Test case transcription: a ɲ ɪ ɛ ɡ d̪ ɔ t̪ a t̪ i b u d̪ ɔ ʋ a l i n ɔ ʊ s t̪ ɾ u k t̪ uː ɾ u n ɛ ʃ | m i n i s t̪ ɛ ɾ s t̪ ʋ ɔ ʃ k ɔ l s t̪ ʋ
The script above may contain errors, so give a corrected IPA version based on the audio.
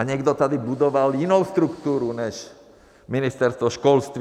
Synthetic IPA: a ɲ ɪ ɛ ɡ d̪ ɔ t̪ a d̪ i b u d̪ ɔ ʋ a l i n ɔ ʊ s t̪ ɾ u k t̪ uː ɾ u ɲ ɛ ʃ | m i n i s t̪ ɛ ɾ s t̪ ʋ ɔ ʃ k ɔ l s t̪ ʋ